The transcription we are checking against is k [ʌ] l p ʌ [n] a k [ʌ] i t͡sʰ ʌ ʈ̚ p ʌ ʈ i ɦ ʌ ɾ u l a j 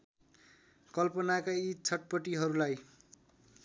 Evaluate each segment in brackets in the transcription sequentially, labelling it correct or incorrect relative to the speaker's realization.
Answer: correct, correct, incorrect: a

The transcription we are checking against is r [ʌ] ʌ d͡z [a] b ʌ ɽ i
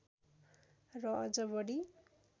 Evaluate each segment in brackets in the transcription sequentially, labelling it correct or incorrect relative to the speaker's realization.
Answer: correct, incorrect: ʌ

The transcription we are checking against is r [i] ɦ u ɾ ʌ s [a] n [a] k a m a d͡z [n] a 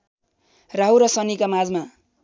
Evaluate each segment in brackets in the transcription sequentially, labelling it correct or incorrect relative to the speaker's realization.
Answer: incorrect: a, incorrect: ʌ, incorrect: i, incorrect: m

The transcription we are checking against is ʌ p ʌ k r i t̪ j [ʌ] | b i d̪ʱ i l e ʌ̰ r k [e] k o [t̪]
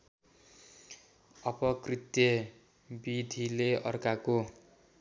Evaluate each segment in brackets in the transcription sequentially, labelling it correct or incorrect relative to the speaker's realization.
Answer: correct, incorrect: a, incorrect: none

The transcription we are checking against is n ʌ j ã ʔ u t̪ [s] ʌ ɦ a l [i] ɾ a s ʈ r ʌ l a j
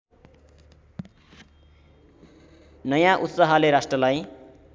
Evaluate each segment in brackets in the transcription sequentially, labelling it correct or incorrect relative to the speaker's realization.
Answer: correct, incorrect: e

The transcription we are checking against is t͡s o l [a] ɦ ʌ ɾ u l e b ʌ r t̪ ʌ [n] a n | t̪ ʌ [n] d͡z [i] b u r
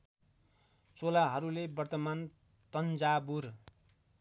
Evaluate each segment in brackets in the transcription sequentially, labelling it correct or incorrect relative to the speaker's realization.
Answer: correct, incorrect: m, correct, incorrect: a

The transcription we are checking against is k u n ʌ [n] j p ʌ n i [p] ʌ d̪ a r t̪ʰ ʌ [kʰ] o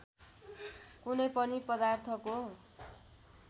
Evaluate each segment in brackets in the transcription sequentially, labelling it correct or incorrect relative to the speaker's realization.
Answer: incorrect: none, correct, incorrect: k

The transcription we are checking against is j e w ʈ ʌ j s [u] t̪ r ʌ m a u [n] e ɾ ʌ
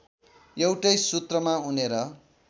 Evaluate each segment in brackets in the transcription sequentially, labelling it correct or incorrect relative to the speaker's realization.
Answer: correct, correct

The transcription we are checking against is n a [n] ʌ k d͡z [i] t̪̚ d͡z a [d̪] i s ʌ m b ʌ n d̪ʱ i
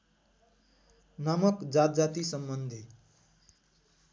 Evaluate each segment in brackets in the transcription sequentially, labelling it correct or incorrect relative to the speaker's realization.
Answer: incorrect: m, incorrect: a, incorrect: t̪

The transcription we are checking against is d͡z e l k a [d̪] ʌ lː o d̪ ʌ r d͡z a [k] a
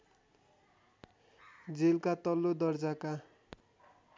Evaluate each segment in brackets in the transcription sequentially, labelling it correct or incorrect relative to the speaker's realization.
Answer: incorrect: t̪, correct

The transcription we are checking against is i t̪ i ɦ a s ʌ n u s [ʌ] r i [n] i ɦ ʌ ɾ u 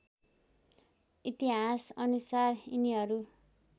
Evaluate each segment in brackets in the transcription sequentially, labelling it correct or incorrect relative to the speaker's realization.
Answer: incorrect: a, correct

